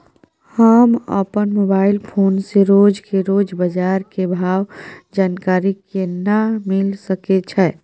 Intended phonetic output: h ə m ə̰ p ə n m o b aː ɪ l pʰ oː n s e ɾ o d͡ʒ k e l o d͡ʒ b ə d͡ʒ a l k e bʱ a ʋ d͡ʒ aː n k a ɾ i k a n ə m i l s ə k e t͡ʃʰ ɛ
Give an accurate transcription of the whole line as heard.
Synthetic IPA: h ə m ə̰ p ə n m o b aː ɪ l pʰ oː n s e ɾ o d͡ʒ k e ɾ o d͡ʒ b ə d͡ʒ a ɾ k e bʱ a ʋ d͡ʒ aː n k a ɾ i k e n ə m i l s ə k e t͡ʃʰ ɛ